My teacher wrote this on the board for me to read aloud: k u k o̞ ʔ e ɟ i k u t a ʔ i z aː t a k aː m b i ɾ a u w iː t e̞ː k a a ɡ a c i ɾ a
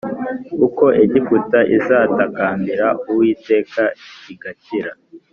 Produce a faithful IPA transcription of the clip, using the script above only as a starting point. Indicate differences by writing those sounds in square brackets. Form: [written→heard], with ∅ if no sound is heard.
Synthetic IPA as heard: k u k o̞ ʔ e ɟ i k u t a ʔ i z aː t a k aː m b i ɾ a u w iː t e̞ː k a [a→i] ɡ a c i ɾ a